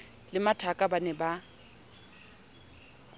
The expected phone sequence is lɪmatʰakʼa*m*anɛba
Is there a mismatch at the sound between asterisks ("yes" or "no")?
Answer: yes